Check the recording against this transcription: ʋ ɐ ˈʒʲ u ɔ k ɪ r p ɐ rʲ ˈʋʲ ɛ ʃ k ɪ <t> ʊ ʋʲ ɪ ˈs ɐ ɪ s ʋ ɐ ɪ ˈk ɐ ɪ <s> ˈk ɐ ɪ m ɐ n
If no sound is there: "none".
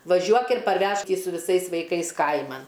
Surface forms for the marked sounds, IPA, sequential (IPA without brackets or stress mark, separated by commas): s, s